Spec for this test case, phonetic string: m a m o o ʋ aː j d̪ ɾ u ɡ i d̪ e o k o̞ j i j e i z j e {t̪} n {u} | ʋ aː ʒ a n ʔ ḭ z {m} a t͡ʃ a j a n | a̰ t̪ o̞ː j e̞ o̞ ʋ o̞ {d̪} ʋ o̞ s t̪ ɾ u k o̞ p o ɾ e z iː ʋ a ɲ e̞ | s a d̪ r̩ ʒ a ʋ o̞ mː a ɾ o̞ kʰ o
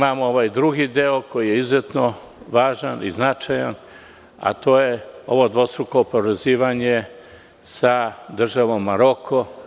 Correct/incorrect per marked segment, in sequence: correct, incorrect, incorrect, correct

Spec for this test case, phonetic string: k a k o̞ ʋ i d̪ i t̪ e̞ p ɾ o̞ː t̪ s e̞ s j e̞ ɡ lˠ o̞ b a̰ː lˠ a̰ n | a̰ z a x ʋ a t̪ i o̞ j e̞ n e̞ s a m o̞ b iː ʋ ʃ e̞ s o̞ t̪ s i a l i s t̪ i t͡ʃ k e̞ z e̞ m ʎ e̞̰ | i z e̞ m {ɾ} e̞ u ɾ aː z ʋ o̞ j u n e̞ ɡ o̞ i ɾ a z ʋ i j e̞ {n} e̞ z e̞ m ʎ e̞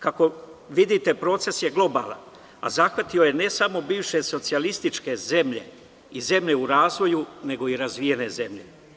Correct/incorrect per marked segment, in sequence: incorrect, correct

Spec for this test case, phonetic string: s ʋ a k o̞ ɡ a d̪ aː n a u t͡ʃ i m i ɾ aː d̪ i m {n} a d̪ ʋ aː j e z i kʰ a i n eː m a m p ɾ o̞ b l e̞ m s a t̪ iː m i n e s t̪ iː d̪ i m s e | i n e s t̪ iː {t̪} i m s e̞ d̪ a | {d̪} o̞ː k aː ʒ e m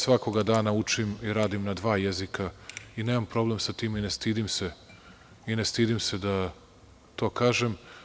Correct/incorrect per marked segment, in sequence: correct, incorrect, incorrect

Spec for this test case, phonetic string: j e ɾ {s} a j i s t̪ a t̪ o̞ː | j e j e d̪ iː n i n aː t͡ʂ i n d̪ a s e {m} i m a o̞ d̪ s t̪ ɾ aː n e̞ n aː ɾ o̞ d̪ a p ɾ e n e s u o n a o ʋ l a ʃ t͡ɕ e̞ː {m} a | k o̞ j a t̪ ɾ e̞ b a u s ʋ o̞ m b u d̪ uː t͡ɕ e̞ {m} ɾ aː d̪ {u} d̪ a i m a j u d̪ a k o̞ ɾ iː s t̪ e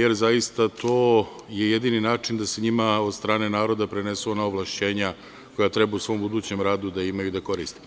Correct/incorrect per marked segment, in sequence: incorrect, incorrect, incorrect, correct, correct

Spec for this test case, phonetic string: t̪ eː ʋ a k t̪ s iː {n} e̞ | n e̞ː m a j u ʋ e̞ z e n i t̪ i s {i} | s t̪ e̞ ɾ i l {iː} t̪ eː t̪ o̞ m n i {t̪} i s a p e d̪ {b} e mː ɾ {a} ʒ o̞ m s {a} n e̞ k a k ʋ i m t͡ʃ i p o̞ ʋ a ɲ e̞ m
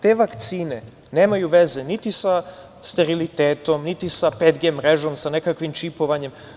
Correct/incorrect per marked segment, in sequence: correct, incorrect, incorrect, correct, incorrect, incorrect, correct

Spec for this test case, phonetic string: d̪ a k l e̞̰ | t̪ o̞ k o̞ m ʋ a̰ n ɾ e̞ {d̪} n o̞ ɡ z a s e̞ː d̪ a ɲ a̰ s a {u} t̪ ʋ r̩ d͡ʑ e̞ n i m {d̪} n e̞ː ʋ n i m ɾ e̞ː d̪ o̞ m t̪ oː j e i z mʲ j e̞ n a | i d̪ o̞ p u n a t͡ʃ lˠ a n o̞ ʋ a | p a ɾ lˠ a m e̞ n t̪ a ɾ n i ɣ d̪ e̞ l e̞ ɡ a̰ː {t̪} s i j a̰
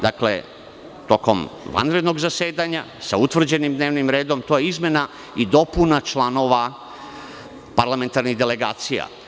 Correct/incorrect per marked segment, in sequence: correct, correct, correct, correct

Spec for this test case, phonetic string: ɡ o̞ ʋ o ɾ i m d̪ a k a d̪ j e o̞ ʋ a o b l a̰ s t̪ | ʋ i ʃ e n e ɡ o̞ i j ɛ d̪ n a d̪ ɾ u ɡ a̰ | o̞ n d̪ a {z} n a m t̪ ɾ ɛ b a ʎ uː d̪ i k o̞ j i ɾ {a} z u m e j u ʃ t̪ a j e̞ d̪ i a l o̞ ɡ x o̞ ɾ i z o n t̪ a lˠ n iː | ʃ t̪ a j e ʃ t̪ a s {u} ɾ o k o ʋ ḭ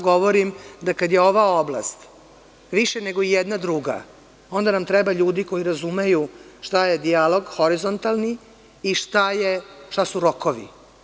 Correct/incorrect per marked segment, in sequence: incorrect, correct, correct

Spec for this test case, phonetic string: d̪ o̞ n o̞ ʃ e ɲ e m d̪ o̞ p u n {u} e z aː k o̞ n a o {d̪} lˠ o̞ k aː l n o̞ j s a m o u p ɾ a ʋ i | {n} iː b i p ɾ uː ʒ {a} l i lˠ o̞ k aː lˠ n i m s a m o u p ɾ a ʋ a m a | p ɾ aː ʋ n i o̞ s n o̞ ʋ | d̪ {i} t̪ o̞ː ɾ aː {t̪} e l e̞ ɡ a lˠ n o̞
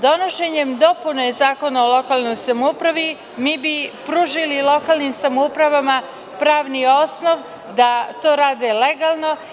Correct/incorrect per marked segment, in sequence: incorrect, incorrect, incorrect, incorrect, incorrect, incorrect

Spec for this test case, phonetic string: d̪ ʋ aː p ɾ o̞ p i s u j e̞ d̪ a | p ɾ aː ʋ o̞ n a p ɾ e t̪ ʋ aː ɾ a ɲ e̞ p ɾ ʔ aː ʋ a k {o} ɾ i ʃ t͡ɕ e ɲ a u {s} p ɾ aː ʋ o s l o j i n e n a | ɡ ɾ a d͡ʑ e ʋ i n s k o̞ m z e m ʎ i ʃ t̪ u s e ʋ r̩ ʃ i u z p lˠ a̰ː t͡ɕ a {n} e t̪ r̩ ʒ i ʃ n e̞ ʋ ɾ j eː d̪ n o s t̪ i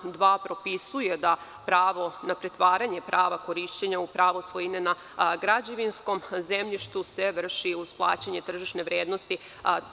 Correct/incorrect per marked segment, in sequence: correct, incorrect, incorrect

